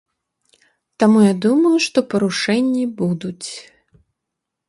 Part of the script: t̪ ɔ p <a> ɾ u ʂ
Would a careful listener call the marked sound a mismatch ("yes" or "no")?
yes